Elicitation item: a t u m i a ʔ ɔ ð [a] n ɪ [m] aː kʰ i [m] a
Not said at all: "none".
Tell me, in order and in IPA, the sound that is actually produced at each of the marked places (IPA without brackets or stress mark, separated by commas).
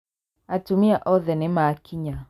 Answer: ɛ, m, ɲ